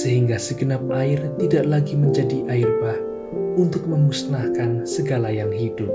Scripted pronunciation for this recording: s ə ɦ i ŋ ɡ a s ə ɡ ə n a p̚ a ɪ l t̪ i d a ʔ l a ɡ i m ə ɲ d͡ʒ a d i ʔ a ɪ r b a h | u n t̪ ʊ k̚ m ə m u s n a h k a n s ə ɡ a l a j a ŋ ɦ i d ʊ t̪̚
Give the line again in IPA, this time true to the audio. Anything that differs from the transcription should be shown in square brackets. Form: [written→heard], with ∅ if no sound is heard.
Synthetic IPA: s ə ɦ i ŋ ɡ a s ə ɡ ə n a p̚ a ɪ [l→r] t̪ i d a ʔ l a ɡ i m ə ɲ d͡ʒ a d i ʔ a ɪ r b a h | u n t̪ ʊ k̚ m ə m u s n a h k a n s ə ɡ a l a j a ŋ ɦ i d ʊ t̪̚